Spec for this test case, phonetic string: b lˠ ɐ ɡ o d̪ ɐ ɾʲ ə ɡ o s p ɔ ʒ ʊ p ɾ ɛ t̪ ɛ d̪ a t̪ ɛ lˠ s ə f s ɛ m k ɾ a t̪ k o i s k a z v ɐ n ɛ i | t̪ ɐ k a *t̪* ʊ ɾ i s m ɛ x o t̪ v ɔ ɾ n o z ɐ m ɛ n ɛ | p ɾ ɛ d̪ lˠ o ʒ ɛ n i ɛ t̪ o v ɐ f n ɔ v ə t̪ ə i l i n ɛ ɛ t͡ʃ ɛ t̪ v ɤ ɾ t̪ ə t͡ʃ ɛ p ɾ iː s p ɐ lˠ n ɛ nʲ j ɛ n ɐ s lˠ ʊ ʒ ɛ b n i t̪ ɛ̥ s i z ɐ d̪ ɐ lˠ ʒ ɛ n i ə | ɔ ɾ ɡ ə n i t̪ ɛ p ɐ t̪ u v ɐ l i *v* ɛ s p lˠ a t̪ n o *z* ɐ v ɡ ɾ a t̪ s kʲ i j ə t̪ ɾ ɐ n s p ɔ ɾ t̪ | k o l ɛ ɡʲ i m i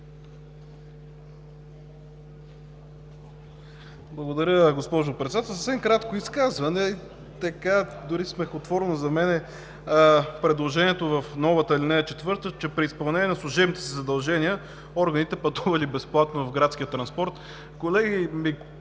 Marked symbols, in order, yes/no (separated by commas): no, no, no